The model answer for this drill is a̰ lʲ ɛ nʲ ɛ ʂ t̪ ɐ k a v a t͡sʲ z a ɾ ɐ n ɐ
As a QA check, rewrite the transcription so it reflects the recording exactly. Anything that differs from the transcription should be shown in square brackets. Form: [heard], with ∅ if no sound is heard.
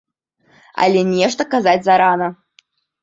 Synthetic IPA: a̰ lʲ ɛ nʲ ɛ ʂ t̪ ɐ k a [z] a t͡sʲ z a ɾ [a] n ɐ